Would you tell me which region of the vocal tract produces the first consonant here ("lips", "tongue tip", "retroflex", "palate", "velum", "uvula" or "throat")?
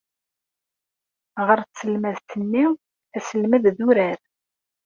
uvula